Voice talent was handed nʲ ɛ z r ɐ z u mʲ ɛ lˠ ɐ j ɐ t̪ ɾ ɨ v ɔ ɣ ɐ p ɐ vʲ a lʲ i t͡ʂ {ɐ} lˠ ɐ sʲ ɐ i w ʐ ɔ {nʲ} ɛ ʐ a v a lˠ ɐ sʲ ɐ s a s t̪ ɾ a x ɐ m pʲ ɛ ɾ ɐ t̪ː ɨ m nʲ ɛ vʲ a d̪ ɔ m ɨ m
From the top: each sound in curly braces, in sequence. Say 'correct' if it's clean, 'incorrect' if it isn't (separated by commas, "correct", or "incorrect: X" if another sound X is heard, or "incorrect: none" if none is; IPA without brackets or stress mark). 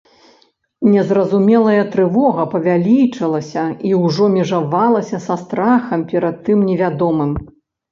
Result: correct, incorrect: mʲ